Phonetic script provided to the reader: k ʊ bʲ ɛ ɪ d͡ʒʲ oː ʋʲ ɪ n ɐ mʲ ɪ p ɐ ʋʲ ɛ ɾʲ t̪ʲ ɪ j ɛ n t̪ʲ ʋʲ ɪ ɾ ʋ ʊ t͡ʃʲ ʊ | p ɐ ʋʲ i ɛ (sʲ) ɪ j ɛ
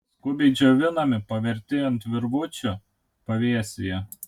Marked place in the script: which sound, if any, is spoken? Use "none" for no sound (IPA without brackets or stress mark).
sʲ